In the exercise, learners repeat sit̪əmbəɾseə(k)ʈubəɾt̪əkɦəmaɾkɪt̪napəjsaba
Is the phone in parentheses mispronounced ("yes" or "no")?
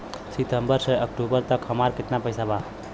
no